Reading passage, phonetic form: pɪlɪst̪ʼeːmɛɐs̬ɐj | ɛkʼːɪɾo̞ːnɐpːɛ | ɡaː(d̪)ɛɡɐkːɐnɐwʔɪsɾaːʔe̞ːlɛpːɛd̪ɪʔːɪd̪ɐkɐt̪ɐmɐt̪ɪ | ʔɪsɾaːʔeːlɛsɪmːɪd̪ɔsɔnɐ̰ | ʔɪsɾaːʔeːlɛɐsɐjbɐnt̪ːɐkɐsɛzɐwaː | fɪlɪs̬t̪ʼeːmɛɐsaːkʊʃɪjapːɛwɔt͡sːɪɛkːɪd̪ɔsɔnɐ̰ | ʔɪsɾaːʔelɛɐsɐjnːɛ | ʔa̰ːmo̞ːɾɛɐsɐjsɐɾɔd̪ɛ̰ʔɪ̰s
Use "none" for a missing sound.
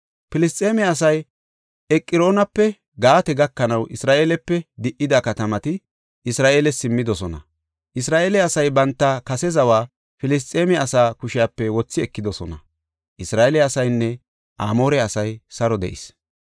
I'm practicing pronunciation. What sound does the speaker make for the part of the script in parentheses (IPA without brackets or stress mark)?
t̪